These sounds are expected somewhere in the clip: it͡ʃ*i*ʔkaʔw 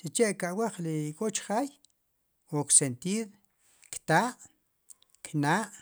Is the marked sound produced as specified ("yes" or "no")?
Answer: no